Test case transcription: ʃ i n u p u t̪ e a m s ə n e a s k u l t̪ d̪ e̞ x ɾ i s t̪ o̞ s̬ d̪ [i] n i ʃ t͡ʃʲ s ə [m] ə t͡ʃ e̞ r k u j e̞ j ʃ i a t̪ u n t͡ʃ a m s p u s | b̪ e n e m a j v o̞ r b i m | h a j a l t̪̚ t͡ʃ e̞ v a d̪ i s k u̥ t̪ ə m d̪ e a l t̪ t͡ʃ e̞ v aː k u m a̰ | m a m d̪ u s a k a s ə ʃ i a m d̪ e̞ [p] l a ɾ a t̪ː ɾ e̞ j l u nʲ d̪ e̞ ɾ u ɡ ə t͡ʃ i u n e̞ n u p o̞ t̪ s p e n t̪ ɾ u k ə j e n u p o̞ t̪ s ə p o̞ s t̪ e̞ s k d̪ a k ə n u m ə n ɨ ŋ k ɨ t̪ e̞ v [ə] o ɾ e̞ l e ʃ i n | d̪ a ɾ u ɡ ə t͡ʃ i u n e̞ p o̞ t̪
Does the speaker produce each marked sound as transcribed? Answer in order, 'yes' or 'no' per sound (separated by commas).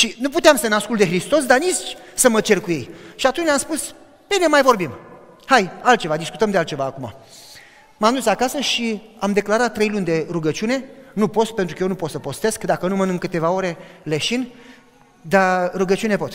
no, yes, no, no